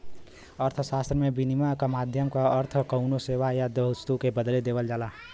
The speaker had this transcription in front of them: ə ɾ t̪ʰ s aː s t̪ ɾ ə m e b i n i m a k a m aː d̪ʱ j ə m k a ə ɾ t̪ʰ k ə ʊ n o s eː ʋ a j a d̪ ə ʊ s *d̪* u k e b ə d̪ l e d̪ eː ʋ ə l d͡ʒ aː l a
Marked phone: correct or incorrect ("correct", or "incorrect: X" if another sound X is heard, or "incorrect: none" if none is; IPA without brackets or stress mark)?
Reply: incorrect: t̪